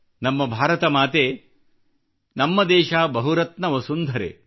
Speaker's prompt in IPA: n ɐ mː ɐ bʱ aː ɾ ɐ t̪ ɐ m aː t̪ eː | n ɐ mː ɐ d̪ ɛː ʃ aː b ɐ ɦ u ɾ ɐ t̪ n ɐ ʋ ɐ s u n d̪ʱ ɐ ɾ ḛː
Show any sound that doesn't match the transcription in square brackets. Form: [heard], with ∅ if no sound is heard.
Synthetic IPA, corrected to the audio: n ɐ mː ɐ bʱ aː ɾ ɐ t̪ ɐ m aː t̪ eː | n ɐ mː ɐ d̪ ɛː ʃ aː b ɐ ɦ u ɾ ɐ t̪ n ɐ ʋ ɐ s u n d̪ʱ ɐ ɾ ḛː